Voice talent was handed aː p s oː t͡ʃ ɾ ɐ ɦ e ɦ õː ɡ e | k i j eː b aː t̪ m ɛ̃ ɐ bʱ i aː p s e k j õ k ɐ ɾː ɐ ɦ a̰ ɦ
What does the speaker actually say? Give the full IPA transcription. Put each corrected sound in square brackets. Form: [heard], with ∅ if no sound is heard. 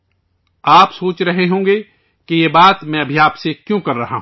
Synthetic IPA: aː p s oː t͡ʃ ɾ ɐ ɦ e ɦ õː ɡ e | k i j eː b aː t̪ m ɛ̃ ɐ bʱ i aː p s e k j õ k ɐ ɾː ɐ ɦ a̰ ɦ